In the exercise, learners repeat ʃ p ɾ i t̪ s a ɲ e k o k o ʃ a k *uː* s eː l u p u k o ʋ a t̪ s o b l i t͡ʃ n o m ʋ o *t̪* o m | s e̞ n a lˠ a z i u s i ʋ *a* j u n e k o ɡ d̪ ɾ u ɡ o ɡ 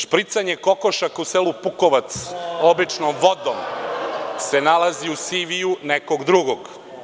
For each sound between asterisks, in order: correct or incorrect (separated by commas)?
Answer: incorrect, incorrect, incorrect